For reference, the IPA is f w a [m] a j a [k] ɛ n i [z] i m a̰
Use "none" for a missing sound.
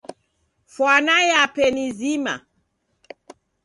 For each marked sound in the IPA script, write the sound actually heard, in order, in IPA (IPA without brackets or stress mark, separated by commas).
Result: n, p, z